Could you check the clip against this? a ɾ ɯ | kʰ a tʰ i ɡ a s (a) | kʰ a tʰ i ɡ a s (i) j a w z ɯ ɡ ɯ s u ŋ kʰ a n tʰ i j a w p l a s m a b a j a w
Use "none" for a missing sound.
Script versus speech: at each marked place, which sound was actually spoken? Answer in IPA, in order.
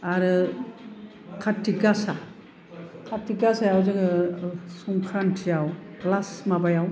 a, a

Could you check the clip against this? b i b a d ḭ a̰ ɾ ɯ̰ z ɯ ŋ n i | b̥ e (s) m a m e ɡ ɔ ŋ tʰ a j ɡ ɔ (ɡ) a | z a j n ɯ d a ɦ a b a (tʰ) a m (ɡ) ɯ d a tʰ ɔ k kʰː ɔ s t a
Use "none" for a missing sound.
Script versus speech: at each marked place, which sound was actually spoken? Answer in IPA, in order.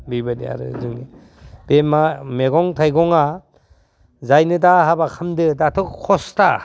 none, ŋ, kʰ, d

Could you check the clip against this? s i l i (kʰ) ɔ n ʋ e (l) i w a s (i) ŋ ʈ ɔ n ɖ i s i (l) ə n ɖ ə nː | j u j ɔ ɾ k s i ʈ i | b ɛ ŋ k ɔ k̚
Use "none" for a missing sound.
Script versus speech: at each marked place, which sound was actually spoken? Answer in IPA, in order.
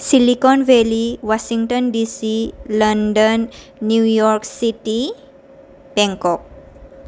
k, l, i, l

